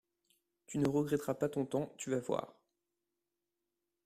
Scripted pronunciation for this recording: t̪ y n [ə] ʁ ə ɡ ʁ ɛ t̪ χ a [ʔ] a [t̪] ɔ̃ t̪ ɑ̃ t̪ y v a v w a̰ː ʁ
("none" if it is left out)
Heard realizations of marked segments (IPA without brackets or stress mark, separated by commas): ə, p, t̪